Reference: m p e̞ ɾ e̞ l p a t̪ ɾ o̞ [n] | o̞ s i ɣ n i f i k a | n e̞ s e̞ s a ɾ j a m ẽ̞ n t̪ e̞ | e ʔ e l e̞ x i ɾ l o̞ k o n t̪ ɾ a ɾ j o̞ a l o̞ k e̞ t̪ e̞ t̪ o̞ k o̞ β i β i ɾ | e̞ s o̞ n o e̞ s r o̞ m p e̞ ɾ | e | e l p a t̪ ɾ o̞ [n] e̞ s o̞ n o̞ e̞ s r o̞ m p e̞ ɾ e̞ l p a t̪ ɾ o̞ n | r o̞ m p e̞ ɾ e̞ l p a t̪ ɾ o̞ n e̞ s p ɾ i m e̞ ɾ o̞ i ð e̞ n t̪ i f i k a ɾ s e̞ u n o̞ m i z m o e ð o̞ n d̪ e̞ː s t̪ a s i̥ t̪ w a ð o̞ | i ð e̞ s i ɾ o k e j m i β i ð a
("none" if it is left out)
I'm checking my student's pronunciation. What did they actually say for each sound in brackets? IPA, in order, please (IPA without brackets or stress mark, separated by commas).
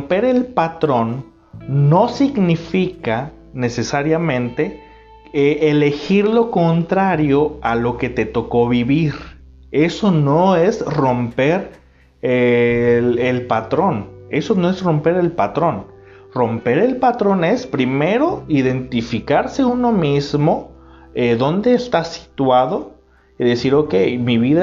nː, n